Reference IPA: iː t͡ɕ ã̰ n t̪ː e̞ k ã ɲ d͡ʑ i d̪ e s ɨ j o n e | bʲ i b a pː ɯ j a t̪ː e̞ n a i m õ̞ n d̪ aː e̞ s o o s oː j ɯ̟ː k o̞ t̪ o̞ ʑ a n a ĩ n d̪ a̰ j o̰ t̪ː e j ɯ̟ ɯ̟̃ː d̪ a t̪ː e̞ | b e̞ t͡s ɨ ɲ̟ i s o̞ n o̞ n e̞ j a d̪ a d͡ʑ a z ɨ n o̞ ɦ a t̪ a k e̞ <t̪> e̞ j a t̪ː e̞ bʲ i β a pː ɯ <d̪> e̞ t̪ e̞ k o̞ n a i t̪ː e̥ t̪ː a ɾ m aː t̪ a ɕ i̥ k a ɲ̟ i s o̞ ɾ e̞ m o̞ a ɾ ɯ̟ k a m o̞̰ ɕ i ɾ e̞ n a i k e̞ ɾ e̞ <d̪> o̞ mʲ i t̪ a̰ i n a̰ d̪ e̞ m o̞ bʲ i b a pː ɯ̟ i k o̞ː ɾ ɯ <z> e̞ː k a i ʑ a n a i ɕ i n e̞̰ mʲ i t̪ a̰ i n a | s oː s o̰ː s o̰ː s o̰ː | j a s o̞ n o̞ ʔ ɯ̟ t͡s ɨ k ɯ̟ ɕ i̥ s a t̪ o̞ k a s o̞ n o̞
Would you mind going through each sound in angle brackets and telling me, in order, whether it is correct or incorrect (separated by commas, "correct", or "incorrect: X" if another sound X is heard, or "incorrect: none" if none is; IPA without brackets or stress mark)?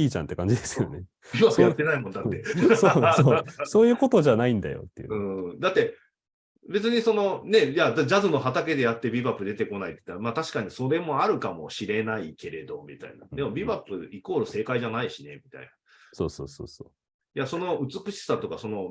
incorrect: d̪, correct, correct, incorrect: s